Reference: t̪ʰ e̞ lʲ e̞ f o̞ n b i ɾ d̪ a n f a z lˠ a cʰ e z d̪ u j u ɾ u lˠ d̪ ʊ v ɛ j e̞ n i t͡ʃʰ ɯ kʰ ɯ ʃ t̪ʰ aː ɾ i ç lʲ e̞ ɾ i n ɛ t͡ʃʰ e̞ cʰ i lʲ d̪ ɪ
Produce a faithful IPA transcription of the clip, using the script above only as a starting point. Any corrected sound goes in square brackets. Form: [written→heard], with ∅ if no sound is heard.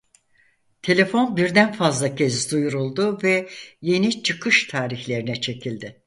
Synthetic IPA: t̪ʰ e̞ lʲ e̞ f o̞ n b i ɾ d̪ [a→æ] n f a z lˠ a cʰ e z d̪ u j u ɾ u lˠ d̪ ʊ v ɛ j e̞ n i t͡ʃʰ ɯ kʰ ɯ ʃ t̪ʰ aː ɾ i ç lʲ e̞ ɾ i n ɛ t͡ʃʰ e̞ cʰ i lʲ d̪ ɪ